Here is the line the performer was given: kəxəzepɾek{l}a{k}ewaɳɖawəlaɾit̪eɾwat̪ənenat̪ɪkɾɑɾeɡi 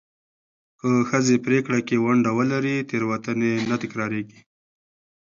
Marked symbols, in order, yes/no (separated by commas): no, yes